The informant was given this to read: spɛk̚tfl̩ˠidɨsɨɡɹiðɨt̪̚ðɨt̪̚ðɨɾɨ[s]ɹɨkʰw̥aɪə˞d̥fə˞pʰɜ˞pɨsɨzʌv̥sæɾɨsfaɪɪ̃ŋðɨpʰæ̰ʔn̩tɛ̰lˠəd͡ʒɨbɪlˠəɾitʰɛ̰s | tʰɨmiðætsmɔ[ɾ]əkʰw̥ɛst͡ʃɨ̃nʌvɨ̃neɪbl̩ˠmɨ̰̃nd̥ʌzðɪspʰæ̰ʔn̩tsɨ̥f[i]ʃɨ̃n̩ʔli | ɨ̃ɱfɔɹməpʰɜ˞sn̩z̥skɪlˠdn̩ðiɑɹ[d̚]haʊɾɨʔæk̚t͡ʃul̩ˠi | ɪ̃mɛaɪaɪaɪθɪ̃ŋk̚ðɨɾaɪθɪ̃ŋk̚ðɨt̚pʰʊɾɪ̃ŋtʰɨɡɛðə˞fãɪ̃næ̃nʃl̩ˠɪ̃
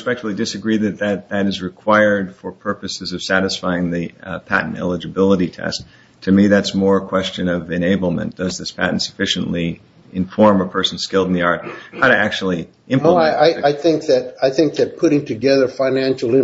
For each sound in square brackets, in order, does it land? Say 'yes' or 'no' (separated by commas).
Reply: no, no, no, no